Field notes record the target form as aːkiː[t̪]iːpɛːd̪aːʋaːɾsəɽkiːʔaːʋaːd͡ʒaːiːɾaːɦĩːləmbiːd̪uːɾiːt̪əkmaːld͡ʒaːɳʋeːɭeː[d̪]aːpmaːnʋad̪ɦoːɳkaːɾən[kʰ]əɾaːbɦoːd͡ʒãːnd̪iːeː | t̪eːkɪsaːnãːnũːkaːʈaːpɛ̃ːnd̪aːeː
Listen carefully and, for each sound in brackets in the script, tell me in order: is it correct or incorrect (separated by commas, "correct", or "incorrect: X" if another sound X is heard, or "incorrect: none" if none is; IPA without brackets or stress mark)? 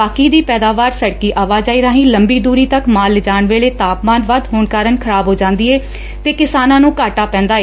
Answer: incorrect: d̪, incorrect: t̪, correct